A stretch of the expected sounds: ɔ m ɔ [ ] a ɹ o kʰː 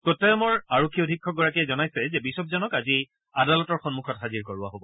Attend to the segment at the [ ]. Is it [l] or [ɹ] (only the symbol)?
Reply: ɹ